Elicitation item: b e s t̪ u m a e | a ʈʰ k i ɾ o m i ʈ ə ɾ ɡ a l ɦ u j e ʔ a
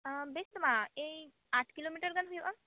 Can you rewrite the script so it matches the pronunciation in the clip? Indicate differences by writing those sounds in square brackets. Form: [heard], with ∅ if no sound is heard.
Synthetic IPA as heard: b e s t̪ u m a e | a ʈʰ k i [l] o m i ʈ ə ɾ ɡ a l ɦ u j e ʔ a